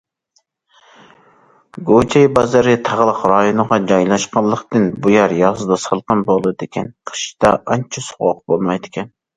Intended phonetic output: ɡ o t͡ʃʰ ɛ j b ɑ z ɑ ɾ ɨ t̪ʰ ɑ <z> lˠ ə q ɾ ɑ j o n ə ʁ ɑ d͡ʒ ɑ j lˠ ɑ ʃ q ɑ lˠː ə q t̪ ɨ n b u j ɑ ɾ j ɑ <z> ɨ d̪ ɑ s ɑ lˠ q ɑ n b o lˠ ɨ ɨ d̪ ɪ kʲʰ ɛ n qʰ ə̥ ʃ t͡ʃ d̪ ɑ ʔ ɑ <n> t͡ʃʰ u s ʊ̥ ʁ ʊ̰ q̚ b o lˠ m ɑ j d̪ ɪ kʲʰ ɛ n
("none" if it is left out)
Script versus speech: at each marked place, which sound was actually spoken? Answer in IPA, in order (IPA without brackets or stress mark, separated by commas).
ʁ, z, n